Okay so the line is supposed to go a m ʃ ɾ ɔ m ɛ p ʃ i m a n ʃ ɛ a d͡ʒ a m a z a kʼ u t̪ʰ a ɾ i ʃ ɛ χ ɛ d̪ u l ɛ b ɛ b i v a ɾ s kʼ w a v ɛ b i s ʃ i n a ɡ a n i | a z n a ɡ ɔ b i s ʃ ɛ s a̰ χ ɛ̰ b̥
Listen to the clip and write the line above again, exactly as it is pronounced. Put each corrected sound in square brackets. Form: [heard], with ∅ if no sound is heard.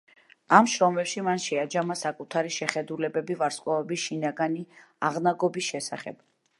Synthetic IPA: a m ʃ ɾ ɔ m ɛ p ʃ i m a n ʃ ɛ a d͡ʒ a m a [s] a kʼ u t̪ʰ a ɾ i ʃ ɛ χ ɛ d̪ u l ɛ b ɛ b i v a ɾ s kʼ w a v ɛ b i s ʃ i n a ɡ a n i | a [ʁ] n a ɡ ɔ b i s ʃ ɛ s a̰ χ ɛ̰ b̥